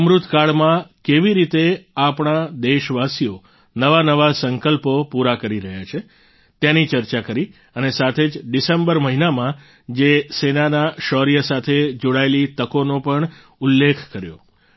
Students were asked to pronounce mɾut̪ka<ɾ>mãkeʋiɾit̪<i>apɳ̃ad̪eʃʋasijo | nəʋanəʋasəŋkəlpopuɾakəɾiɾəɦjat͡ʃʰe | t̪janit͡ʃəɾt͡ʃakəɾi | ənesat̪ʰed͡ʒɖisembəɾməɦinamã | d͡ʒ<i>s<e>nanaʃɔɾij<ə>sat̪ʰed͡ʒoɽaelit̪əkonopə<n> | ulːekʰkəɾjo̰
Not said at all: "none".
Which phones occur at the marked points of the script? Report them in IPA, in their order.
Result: ɭ, e, e, e, ə, ɳ

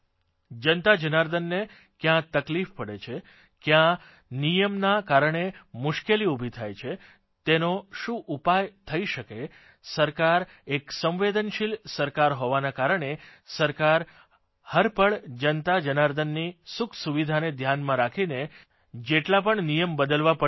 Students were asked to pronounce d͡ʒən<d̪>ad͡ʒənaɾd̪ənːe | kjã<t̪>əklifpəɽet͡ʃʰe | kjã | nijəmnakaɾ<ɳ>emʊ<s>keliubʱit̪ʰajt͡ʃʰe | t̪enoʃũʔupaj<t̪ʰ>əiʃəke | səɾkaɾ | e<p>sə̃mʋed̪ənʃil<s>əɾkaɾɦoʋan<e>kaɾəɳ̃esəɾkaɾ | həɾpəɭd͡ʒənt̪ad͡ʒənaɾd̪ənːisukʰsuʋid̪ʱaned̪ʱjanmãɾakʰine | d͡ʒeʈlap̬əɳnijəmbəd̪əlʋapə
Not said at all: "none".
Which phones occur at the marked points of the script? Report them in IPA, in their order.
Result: t̪, t̪, ɳ, ʃ, t̪ʰ, k, s, a

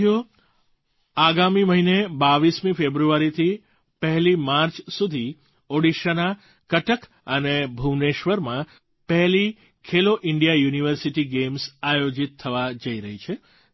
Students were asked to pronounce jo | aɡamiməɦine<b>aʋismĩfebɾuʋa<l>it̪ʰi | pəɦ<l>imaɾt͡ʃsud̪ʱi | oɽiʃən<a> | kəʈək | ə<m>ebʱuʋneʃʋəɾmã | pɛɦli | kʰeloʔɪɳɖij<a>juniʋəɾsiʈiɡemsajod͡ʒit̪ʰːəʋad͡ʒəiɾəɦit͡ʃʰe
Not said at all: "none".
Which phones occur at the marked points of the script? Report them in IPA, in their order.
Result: b, ɾ, l, a, n, a

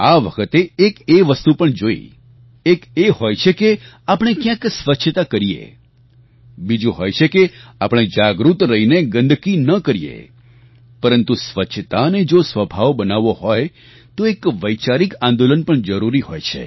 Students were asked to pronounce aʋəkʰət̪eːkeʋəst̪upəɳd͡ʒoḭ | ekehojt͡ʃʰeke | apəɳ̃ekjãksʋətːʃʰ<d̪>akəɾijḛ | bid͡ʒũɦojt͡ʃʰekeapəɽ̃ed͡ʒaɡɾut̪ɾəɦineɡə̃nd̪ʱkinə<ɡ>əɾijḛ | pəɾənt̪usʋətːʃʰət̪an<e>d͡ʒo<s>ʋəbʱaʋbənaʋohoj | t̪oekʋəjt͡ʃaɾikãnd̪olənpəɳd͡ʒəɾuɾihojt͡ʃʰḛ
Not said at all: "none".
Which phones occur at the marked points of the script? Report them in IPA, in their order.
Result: t̪, k, e, s

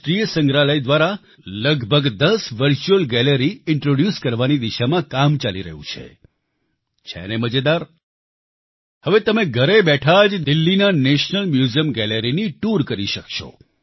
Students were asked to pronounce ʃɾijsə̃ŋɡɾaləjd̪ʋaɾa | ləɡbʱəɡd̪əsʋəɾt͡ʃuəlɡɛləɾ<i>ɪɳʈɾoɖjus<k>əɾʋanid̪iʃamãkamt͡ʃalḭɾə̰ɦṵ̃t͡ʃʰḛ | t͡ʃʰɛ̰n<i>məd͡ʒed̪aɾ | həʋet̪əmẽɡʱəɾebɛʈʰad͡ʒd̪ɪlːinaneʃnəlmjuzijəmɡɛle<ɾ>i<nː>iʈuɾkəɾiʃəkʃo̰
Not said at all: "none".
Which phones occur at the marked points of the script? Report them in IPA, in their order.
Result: i, k, e, ɾ, n

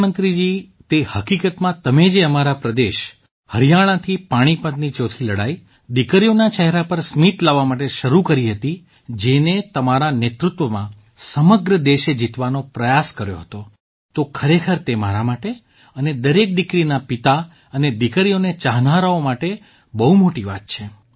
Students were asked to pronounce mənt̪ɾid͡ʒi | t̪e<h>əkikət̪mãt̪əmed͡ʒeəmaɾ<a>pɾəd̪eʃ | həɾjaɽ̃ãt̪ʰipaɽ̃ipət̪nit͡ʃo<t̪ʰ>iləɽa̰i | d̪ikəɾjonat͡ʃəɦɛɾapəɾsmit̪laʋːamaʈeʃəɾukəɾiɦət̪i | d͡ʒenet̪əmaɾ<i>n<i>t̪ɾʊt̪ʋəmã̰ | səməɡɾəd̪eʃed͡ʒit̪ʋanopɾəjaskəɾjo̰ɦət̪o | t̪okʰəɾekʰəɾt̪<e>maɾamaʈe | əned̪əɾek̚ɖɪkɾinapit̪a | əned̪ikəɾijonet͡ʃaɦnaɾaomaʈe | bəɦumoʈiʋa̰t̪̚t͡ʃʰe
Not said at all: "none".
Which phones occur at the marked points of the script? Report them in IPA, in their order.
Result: h, a, t̪ʰ, a, e, e

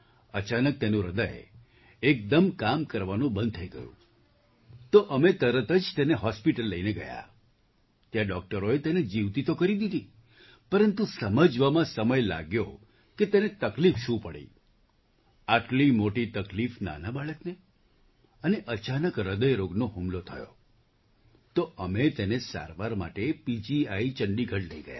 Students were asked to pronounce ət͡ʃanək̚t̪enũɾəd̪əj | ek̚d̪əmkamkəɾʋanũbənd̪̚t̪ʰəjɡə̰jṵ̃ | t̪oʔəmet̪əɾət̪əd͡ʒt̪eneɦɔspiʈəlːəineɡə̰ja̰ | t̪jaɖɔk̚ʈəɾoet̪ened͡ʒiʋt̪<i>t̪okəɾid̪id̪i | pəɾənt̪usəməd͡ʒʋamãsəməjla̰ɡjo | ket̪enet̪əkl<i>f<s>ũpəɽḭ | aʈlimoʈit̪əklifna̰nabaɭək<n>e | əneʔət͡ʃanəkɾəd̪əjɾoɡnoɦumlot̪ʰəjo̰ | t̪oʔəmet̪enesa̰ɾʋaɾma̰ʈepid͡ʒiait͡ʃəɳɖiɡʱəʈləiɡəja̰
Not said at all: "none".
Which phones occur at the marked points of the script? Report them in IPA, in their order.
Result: i, i, ʃ, n

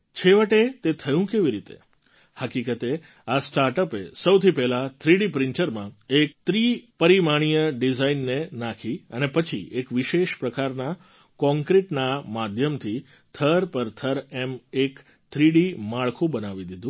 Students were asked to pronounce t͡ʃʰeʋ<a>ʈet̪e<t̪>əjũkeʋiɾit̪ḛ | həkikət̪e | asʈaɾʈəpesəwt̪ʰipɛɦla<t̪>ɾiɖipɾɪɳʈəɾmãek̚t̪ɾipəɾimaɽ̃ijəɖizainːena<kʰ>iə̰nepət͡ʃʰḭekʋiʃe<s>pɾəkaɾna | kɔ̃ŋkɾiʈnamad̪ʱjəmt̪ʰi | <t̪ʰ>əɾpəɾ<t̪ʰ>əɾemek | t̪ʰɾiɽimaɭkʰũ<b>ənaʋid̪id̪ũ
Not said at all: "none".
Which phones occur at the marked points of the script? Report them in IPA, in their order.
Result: ə, t̪ʰ, t̪ʰ, kʰ, ʃ, t̪ʰ, t̪ʰ, b

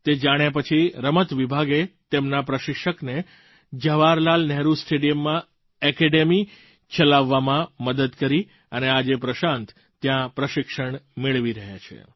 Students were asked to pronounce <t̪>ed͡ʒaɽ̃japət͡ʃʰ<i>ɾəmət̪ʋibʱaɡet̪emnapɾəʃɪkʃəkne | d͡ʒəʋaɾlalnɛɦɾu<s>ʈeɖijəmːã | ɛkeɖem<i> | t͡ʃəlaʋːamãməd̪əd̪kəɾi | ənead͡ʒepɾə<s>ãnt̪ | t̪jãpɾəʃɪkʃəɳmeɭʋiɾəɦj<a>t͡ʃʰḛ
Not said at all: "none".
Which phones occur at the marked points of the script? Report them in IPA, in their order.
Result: t̪, i, s, i, ʃ, a

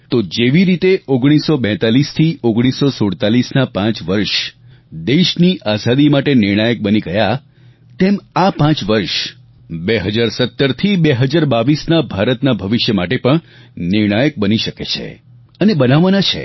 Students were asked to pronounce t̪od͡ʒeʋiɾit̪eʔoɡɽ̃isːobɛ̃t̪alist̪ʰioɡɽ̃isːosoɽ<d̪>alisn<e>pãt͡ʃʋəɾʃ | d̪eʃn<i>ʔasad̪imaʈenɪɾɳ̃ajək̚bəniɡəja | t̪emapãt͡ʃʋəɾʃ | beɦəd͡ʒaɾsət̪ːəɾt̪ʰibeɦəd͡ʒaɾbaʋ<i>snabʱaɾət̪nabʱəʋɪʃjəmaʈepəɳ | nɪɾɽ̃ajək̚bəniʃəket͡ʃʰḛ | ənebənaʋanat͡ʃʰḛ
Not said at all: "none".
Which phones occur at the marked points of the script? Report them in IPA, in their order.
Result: t̪, a, i, i

